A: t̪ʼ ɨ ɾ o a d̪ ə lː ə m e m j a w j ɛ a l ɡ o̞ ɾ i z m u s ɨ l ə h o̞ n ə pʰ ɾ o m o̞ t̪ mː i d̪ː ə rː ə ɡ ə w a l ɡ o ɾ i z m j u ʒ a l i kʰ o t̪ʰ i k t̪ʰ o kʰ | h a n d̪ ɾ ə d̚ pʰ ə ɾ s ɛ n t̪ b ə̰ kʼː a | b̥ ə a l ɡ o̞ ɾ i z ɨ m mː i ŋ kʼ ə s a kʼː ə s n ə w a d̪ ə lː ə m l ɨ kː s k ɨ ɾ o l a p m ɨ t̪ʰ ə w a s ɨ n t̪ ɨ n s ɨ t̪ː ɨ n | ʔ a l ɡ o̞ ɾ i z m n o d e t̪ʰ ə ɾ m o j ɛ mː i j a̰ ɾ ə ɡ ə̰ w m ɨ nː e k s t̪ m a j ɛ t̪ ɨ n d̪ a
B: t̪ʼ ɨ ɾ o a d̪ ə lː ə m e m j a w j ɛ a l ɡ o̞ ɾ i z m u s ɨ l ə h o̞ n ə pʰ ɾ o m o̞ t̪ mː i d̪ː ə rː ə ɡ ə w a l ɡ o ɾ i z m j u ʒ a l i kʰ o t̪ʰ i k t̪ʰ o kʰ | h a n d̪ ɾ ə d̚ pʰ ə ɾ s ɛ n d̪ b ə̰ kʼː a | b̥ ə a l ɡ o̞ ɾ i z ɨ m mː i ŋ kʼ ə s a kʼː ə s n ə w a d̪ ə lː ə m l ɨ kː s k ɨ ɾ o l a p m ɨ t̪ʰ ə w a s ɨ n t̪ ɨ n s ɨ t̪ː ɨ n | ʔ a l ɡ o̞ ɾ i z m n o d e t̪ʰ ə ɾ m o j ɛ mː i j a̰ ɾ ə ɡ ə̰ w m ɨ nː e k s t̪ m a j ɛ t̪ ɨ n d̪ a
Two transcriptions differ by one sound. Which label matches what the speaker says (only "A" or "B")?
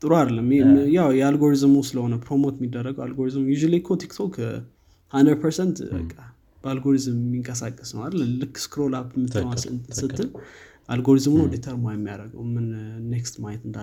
A